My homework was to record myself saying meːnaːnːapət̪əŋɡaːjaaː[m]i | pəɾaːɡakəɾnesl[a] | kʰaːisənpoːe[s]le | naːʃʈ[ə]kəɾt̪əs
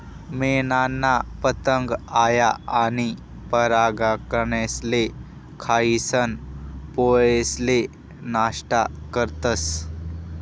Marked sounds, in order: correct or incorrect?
incorrect, incorrect, correct, incorrect

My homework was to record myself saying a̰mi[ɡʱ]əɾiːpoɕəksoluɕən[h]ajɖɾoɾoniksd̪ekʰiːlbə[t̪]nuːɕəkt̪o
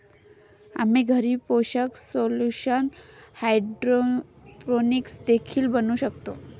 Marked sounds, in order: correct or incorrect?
correct, correct, incorrect

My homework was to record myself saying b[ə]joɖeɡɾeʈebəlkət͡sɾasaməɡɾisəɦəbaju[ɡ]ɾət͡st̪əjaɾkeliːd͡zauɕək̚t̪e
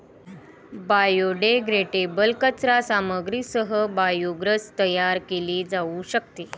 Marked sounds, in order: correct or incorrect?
incorrect, correct

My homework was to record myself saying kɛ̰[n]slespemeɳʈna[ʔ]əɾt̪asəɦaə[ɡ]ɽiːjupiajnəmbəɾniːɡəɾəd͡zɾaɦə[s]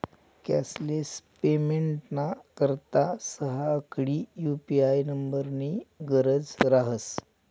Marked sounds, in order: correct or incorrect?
incorrect, incorrect, incorrect, correct

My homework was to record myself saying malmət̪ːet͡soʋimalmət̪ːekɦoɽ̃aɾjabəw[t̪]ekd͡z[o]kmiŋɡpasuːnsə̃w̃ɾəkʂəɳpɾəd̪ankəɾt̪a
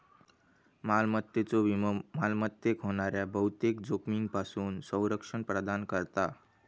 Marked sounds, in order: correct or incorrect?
correct, correct

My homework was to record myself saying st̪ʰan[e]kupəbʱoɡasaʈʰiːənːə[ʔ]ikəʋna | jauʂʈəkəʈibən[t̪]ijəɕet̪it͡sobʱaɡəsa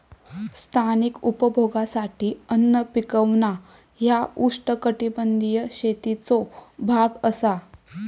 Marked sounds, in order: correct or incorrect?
incorrect, incorrect, incorrect

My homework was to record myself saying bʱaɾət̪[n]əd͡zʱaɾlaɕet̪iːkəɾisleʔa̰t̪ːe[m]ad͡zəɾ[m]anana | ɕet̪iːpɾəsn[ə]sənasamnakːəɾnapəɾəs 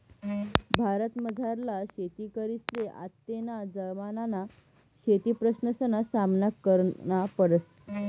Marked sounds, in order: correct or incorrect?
incorrect, incorrect, correct, correct

